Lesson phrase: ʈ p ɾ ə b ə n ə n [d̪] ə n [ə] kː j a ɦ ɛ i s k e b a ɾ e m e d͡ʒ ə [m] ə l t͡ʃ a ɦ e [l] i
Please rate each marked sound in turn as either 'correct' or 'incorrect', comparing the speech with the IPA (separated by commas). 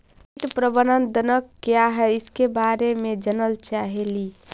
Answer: correct, correct, incorrect, correct